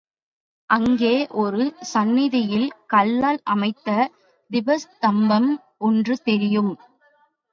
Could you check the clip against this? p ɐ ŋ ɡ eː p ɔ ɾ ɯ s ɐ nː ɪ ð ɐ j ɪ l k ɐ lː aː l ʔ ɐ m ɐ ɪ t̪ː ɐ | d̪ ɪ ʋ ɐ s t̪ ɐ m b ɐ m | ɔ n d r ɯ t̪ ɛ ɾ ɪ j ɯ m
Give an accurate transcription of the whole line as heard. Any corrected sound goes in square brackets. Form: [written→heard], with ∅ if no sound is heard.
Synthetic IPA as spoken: [p→ʔ] ɐ ŋ ɡ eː [p→ʔ] ɔ ɾ ɯ s ɐ nː ɪ ð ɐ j ɪ l k ɐ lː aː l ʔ ɐ m ɐ ɪ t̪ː ɐ | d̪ ɪ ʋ ɐ s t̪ ɐ m b ɐ m | ɔ n d r ɯ t̪ ɛ ɾ ɪ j ɯ m